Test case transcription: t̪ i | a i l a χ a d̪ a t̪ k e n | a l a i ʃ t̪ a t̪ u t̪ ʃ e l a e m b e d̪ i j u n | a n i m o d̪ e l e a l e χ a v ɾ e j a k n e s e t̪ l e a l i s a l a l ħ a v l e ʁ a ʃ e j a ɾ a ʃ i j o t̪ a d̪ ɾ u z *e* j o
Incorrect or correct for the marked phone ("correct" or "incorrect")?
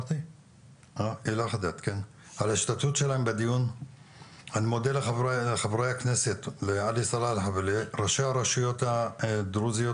incorrect